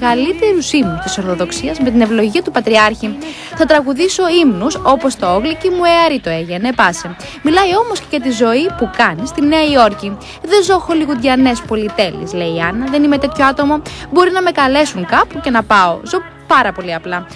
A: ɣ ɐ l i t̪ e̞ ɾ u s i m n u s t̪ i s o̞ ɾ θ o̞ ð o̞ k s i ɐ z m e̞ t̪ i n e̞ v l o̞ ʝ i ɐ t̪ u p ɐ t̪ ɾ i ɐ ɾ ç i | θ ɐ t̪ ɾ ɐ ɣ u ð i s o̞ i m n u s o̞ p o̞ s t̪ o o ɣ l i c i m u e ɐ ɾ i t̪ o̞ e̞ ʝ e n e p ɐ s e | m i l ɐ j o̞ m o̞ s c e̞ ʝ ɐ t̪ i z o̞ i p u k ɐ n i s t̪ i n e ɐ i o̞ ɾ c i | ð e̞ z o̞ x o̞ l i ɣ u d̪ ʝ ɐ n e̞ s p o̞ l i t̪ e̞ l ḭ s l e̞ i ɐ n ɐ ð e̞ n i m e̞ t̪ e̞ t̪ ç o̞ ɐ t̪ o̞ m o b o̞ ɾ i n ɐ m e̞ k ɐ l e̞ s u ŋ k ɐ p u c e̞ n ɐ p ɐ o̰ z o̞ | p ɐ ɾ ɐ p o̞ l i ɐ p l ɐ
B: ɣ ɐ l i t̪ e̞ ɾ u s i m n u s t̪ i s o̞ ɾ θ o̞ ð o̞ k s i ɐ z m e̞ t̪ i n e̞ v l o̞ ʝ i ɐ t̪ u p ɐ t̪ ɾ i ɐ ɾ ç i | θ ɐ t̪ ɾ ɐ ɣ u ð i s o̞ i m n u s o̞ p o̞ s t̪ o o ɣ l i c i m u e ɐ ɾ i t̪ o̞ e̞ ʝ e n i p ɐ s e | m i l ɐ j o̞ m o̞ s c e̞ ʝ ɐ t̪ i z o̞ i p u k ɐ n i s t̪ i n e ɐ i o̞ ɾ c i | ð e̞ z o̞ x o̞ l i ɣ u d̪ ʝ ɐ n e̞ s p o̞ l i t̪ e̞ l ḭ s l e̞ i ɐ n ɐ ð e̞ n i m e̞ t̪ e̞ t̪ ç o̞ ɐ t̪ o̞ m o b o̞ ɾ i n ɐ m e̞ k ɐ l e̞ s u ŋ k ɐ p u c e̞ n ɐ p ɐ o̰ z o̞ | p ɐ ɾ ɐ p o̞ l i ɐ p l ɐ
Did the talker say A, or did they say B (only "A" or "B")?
A